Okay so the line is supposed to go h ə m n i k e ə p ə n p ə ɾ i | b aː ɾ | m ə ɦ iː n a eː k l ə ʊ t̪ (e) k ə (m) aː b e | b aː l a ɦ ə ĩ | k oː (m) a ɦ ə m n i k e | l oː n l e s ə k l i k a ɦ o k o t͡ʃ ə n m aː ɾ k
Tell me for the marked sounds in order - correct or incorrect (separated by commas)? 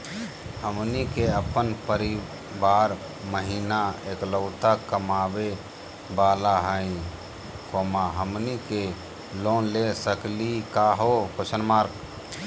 incorrect, correct, correct